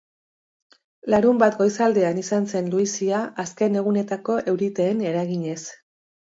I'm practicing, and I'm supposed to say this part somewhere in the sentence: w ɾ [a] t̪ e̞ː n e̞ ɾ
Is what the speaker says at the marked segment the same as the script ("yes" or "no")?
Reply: no